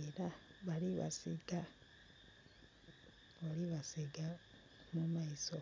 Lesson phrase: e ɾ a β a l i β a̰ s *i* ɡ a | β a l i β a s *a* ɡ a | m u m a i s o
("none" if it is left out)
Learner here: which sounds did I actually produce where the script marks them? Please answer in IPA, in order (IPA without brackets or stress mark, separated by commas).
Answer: i, i